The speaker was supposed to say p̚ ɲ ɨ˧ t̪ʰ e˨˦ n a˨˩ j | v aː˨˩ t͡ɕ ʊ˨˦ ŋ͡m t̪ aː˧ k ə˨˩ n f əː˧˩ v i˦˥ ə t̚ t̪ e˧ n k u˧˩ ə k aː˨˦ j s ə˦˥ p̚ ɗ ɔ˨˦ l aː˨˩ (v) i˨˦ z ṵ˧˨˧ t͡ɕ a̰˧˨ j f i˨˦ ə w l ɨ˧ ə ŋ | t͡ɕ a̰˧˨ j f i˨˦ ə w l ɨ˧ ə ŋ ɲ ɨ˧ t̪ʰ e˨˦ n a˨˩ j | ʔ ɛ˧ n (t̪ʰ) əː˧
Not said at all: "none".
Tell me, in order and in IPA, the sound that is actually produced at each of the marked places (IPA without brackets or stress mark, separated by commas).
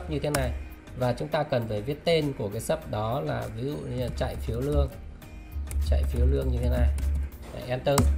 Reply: v, t̪